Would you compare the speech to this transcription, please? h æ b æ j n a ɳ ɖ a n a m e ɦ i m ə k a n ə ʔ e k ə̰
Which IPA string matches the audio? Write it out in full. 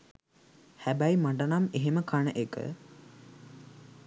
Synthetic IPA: h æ b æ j m a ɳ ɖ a n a m e ɦ e m ə k a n ə ʔ e k ə̰